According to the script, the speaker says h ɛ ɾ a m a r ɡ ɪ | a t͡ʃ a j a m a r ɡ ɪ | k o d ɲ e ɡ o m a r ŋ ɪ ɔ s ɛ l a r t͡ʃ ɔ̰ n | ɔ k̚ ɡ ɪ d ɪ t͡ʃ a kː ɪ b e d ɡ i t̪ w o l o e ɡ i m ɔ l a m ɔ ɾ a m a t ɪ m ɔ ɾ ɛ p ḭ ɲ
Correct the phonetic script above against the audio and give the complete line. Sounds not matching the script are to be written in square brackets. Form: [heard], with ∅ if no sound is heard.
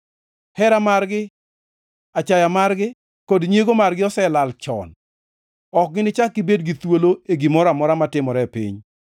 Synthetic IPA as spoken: h ɛ ɾ a m a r ɡ ɪ | a t͡ʃ a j a m a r ɡ ɪ | k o d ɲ e ɡ o m a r [ɡ] ɪ ɔ s ɛ l a [l] t͡ʃ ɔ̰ n | ɔ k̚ ɡ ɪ [n] ɪ t͡ʃ a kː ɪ b e d ɡ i t̪ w o l o e ɡ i m ɔ [ɾ] a m ɔ ɾ a m a t ɪ m ɔ ɾ ɛ p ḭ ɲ